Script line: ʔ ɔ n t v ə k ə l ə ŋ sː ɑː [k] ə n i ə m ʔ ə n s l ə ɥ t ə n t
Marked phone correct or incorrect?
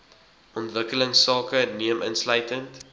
correct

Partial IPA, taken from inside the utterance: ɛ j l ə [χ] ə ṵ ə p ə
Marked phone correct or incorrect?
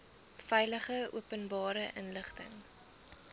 correct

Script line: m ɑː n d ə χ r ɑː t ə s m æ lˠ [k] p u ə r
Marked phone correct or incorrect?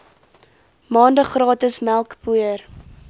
correct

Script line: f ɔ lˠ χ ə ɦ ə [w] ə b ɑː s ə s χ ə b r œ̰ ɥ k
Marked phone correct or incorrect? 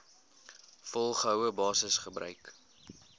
correct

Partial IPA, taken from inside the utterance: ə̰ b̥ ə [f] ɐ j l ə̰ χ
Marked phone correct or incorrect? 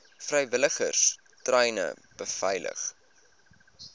correct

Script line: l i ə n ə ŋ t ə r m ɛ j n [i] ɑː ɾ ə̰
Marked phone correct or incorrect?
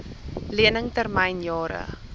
incorrect: j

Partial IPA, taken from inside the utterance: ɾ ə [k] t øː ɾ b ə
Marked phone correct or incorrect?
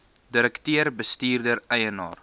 correct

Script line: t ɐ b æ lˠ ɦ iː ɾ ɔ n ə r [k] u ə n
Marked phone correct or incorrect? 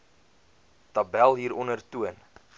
incorrect: t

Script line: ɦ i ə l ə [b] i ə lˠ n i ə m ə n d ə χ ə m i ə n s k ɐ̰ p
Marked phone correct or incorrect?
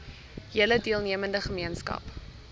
incorrect: d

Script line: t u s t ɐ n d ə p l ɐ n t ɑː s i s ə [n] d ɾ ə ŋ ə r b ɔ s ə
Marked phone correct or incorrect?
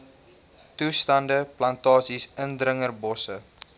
correct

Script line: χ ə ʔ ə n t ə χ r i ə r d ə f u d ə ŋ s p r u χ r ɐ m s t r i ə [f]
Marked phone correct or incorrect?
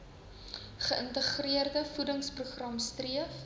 correct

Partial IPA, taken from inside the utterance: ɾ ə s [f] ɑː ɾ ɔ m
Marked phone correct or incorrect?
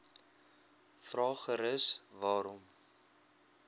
incorrect: v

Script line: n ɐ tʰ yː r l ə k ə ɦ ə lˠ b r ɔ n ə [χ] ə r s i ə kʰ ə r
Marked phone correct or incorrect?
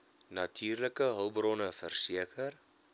incorrect: f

